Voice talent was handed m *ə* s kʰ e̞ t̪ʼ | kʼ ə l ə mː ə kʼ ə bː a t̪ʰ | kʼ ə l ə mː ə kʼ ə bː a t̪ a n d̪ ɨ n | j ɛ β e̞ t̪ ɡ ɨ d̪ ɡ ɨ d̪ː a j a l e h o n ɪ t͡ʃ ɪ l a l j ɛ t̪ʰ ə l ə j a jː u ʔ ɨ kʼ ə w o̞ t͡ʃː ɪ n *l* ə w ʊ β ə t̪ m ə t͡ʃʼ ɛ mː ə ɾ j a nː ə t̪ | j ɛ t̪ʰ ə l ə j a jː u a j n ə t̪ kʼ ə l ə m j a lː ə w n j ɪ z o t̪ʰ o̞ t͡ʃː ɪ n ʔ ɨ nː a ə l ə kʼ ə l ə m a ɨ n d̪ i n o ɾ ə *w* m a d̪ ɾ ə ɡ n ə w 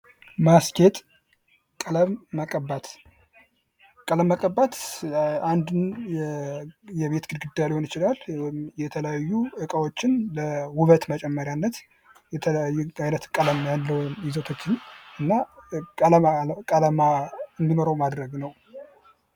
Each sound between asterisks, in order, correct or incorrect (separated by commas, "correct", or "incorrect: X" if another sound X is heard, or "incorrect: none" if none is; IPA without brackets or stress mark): incorrect: a, correct, correct